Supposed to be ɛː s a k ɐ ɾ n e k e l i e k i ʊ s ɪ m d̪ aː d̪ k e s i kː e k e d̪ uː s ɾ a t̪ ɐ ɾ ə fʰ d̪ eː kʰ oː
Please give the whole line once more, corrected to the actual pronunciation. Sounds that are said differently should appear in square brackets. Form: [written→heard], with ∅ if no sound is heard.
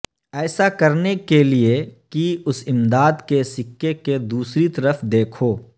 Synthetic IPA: ɛː s a k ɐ ɾ n e k e l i e k i ʊ s ɪ m d̪ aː d̪ k e s [i→ɪ] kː e k e d̪ uː s ɾ [a→i] t̪ ɐ ɾ ə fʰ d̪ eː kʰ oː